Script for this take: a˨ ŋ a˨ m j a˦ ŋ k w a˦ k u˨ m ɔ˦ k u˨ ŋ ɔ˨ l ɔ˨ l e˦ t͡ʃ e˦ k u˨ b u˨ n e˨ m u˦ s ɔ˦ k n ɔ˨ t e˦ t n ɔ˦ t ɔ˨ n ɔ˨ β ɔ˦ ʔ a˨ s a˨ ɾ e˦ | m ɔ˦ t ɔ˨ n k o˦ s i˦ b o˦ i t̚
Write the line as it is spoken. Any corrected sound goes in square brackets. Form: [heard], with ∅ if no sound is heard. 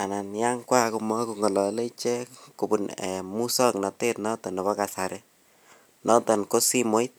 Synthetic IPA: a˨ [n] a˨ [n] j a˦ ŋ k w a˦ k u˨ m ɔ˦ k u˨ ŋ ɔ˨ l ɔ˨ l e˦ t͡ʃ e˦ k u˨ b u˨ n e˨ m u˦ s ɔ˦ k n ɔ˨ t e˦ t n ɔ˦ t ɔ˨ n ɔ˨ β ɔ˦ [k] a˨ s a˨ ɾ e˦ | [n] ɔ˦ t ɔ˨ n k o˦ s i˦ [m] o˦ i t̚

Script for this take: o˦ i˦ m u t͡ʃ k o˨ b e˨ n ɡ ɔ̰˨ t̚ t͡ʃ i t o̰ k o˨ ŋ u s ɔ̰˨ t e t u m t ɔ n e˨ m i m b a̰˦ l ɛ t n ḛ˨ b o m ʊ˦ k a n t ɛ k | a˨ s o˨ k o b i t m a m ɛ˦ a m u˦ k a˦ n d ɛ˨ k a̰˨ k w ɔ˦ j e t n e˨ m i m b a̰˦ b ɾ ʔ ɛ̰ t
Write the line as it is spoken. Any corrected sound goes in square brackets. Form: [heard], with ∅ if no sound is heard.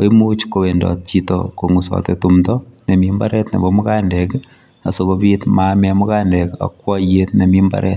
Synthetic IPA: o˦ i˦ m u t͡ʃ k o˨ [w] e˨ n [d] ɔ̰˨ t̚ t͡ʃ i t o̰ k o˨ ŋ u s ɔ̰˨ t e t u m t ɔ n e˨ m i m b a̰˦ [ɾ] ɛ t n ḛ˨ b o m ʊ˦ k a n [d] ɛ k | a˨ s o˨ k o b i t m a m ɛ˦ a m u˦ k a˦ n d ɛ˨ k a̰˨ k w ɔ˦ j e t n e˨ m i m b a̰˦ [∅] ɾ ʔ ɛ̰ t

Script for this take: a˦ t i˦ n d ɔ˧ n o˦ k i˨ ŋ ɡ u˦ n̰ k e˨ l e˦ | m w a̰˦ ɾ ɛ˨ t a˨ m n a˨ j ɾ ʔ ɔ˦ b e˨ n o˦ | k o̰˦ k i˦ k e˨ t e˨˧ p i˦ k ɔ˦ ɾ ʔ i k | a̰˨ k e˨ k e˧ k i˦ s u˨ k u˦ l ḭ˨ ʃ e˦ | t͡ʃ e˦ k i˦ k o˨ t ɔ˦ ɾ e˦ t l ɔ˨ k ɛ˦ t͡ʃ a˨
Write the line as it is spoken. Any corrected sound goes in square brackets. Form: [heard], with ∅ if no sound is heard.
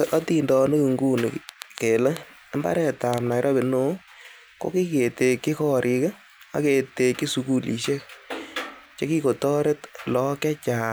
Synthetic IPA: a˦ t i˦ n d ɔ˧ n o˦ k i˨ ŋ ɡ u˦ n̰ k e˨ l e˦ | m [b] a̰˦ ɾ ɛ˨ t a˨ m n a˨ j ɾ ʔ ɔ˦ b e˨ n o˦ | k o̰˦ k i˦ k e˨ t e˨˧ [k] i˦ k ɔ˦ ɾ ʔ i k | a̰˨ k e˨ [t] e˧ k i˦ s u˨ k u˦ l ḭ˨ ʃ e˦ | t͡ʃ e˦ k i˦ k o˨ t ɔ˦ ɾ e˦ t l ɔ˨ k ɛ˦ t͡ʃ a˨

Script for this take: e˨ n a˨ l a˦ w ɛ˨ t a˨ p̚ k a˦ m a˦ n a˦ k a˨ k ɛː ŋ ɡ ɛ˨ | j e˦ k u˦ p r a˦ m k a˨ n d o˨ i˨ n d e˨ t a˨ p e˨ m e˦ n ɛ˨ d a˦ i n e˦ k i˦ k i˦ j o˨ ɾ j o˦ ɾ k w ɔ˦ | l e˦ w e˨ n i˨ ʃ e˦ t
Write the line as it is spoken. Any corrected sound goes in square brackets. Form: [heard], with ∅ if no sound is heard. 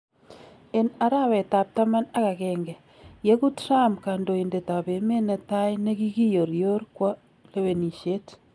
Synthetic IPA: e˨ n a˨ [ɾ] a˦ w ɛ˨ t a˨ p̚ [t] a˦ m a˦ n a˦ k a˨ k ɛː ŋ ɡ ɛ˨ | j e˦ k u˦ [t] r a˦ m k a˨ n d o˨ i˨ n d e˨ t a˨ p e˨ m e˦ n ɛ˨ [t] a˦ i n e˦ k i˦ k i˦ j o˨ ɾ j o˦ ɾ k w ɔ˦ | l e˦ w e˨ n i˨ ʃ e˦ t

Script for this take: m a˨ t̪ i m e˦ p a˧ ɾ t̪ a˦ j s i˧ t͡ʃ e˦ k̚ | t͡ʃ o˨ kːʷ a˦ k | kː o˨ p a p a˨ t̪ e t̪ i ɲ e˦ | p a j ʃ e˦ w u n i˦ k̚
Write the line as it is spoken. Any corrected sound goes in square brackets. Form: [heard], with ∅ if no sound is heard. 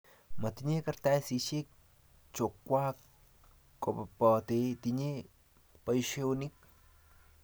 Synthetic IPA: m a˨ t̪ i [ɲ] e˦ [k] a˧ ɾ t̪ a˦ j s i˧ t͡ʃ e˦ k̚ | t͡ʃ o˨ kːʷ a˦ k | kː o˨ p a p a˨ t̪ e t̪ i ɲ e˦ | p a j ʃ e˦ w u n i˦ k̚

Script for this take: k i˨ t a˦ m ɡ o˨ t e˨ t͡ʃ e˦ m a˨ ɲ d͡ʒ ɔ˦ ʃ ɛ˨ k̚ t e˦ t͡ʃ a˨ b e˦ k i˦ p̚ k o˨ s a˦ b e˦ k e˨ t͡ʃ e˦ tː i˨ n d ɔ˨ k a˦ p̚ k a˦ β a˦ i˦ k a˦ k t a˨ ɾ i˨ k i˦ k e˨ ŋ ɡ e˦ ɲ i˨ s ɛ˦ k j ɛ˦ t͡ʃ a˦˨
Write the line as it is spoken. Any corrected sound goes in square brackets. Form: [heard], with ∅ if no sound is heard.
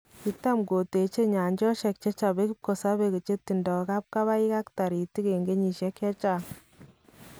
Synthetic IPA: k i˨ t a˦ m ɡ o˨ t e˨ t͡ʃ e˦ [ɲ] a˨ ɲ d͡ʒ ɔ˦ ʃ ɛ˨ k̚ [t͡ʃ] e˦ t͡ʃ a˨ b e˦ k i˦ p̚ k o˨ s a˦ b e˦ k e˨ t͡ʃ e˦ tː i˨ n d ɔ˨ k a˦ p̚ k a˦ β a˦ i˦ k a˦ k t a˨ ɾ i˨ [t] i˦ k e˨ ŋ ɡ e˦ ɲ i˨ [ʃ] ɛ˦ k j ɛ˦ t͡ʃ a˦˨

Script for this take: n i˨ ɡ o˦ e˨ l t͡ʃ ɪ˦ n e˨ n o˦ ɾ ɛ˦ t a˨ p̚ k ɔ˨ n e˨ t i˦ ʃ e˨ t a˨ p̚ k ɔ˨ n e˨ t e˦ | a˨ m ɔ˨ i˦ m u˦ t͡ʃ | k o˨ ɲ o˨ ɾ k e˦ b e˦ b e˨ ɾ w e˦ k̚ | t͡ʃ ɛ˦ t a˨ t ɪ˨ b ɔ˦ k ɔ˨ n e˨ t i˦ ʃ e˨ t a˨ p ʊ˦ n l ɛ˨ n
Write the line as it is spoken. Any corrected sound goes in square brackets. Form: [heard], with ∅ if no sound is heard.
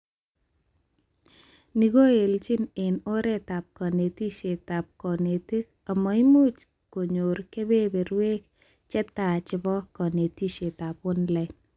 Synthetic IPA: n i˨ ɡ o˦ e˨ l t͡ʃ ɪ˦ n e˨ n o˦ ɾ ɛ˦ t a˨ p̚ k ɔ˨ n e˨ t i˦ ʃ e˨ t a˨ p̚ k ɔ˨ n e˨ t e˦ | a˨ m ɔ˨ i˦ m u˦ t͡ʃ | k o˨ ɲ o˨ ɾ k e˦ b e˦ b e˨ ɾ w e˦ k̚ | t͡ʃ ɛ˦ t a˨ [t͡ʃ] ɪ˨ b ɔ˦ k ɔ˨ n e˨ t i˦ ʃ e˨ t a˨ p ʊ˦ n l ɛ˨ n

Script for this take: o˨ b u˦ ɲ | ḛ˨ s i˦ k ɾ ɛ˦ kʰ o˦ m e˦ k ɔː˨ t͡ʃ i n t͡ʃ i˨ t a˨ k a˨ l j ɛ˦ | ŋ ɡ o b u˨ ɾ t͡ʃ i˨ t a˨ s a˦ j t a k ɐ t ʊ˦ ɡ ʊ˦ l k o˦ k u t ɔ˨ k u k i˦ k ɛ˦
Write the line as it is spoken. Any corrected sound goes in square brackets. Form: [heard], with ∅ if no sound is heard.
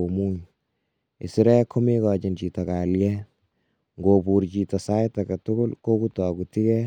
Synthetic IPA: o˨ [m] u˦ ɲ | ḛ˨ s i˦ [∅] ɾ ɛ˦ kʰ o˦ m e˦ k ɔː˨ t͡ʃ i n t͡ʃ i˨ t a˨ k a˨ l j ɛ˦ | ŋ ɡ o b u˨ ɾ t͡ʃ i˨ t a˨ s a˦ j t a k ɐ t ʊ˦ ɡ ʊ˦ l k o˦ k u t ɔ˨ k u [t] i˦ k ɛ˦

